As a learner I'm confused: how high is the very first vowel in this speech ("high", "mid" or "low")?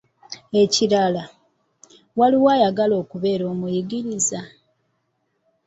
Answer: mid